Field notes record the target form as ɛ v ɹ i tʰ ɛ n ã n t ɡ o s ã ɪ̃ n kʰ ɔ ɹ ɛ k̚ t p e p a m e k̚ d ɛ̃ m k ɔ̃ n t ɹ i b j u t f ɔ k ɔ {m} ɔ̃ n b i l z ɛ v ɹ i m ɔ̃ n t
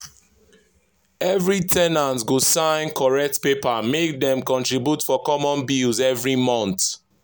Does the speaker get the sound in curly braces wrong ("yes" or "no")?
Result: no